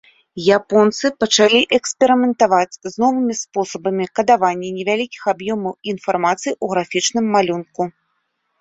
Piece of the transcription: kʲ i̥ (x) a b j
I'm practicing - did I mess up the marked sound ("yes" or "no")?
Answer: no